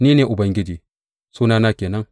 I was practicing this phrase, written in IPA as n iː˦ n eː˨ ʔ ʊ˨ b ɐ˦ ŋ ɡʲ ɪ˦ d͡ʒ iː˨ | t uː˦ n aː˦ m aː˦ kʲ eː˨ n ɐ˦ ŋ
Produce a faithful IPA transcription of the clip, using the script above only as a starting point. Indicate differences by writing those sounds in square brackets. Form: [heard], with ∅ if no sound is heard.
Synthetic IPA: n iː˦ n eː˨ ʔ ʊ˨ b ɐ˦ ŋ ɡʲ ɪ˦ d͡ʒ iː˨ | [s] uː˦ n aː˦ [n] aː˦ kʲ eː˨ n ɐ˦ ŋ